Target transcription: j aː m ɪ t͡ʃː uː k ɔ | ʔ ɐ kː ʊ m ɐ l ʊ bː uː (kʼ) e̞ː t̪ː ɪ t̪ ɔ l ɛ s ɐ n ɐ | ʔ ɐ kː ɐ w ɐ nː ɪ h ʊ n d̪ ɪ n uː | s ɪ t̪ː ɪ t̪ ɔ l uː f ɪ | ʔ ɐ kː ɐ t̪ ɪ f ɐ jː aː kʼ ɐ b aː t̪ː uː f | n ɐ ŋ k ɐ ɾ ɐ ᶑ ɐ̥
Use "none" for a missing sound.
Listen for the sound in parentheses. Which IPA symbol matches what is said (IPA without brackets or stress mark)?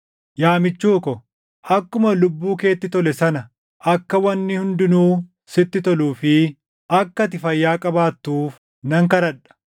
k